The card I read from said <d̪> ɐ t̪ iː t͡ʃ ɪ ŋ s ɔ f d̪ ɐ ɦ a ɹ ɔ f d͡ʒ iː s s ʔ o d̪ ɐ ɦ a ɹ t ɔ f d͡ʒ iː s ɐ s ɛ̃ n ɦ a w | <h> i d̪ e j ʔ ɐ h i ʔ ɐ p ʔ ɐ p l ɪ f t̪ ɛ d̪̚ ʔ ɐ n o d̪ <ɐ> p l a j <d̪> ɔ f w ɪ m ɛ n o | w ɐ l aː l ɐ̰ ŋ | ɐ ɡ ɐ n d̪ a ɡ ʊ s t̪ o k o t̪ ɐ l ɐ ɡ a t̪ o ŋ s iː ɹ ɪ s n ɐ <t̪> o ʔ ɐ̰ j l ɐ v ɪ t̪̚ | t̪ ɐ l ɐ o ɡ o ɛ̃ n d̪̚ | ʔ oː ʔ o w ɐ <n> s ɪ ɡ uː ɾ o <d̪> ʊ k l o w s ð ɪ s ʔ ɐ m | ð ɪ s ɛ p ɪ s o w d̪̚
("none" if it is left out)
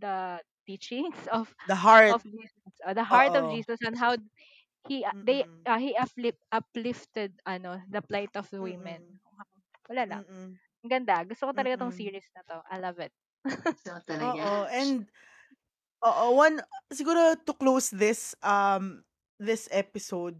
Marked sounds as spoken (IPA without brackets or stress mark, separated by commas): d̪, h, ɐ, t̪, t̪, n, t̪